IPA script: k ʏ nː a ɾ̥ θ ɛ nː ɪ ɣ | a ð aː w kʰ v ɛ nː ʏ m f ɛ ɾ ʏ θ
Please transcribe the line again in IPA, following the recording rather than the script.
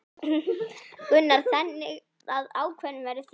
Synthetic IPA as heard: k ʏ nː a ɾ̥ θ ɛ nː ɪ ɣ | a ð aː w kʰ v ɛ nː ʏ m v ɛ ɾ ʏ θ